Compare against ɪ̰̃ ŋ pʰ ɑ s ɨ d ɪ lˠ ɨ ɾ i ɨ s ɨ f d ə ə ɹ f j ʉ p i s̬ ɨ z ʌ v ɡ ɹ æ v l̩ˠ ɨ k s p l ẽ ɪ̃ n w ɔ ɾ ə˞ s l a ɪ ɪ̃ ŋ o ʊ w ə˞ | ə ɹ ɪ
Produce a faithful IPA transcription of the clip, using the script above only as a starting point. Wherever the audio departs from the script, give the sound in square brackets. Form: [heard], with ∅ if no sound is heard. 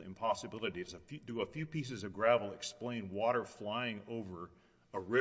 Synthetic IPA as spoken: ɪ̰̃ [m] pʰ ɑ s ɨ [b] ɪ lˠ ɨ ɾ i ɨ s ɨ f d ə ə [∅] f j ʉ p i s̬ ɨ z ʌ v ɡ ɹ æ v l̩ˠ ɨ k s p l ẽ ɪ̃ n w ɔ ɾ ə˞ [f] l a ɪ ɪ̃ ŋ o ʊ [v] ə˞ | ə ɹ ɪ